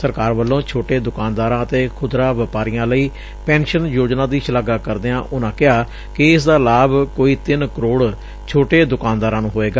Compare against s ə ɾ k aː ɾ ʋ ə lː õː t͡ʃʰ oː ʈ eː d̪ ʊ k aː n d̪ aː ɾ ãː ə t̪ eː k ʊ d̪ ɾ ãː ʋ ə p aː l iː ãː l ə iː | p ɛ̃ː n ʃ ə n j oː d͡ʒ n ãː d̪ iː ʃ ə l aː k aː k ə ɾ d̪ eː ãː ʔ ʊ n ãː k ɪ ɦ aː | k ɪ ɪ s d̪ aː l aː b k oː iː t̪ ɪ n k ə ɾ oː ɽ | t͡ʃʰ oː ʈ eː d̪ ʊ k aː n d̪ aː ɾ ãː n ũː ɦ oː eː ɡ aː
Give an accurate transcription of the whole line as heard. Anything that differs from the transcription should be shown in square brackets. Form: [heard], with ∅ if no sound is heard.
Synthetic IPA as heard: s ə ɾ k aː ɾ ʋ ə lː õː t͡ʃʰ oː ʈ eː d̪ ʊ k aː n d̪ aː ɾ ãː ə t̪ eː [kʰ] ʊ d̪ ɾ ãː ʋ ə p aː [ɾ] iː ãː l ə iː | p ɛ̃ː n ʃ ə n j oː d͡ʒ n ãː d̪ iː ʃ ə l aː [ɡ] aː k ə ɾ d̪ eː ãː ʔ ʊ n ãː k ɪ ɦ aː | k ɪ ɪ s d̪ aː l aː b k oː iː t̪ ɪ n k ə ɾ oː ɽ | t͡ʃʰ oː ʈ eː d̪ ʊ k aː n d̪ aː ɾ ãː n ũː ɦ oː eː ɡ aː

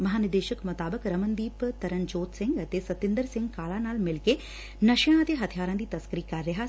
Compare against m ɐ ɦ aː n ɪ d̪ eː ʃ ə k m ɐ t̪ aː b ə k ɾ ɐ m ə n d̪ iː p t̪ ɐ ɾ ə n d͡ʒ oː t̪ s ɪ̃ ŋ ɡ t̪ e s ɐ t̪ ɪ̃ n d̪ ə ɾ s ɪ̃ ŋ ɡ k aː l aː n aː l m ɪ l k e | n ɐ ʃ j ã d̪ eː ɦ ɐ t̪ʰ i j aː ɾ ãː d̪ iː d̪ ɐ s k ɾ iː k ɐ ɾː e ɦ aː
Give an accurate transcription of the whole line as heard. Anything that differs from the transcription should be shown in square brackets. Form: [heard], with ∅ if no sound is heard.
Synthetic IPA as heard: m ɐ ɦ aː n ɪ d̪ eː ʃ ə k m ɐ t̪ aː b ə k ɾ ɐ m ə n d̪ iː p t̪ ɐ ɾ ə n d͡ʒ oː t̪ s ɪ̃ ŋ ɡ t̪ e s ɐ t̪ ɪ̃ n d̪ ə ɾ s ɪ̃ ŋ ɡ k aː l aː n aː l m ɪ l k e | n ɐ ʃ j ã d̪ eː ɦ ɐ t̪ʰ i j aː ɾ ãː d̪ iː [t̪] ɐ s k ɾ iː k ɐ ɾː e ɦ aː

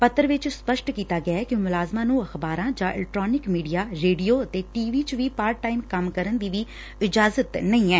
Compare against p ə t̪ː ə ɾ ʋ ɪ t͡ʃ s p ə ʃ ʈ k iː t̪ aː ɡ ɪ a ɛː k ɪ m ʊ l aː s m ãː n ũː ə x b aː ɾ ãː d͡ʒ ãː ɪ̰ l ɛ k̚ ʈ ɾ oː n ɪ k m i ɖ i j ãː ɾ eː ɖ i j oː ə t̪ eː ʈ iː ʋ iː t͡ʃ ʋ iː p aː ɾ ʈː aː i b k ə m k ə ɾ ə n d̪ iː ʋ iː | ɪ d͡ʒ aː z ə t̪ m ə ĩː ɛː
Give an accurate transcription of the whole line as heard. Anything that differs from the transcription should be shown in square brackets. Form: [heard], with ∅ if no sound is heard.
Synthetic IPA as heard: p ə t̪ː ə ɾ ʋ ɪ t͡ʃ s p ə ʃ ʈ k iː t̪ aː ɡ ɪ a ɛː k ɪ m ʊ l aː [z] m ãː n ũː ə x b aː ɾ ãː d͡ʒ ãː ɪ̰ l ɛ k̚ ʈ ɾ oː n ɪ k m [iː] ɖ i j [aː] ɾ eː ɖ i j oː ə t̪ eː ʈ iː ʋ iː t͡ʃ ʋ iː p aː ɾ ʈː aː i [m] k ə m k ə ɾ ə n d̪ iː ʋ iː | ɪ d͡ʒ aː z ə t̪ [n] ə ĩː ɛː

